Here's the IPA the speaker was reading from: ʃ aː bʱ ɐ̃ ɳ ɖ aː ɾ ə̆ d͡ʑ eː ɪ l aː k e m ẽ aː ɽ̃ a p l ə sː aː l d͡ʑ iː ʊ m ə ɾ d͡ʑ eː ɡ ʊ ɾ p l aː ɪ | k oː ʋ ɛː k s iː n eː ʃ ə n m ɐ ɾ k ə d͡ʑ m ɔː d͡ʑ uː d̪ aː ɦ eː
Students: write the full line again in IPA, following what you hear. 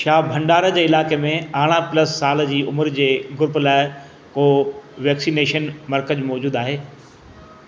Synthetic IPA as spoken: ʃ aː bʱ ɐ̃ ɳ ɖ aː ɾ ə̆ d͡ʑ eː ɪ l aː k e m ẽ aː ɽ̃ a p l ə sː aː l d͡ʑ iː ʊ m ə ɾ d͡ʑ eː ɡ ʊ ɾ p l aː ɪ | k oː ʋ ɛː k s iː n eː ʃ ə n m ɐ ɾ k ə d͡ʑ m ɔː d͡ʑ uː d̪ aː ɦ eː